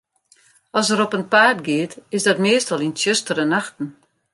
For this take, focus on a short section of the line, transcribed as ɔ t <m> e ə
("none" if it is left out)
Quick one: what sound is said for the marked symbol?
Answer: m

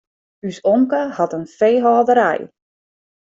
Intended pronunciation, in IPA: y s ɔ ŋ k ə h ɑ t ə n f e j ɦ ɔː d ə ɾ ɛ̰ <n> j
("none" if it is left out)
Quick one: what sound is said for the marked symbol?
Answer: none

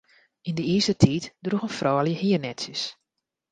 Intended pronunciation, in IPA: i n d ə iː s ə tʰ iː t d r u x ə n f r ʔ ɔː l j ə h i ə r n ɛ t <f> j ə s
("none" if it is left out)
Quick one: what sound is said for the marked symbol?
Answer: s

